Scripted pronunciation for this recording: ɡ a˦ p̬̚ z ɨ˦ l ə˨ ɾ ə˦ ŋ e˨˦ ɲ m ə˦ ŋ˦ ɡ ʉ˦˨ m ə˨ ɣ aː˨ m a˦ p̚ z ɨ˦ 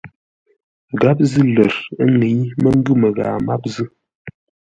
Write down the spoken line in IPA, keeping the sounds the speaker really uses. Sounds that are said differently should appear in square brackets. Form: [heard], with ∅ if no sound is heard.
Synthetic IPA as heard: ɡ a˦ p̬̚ z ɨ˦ l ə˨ ɾ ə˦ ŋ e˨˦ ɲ m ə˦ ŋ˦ ɡ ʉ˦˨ m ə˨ ɣ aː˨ m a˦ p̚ z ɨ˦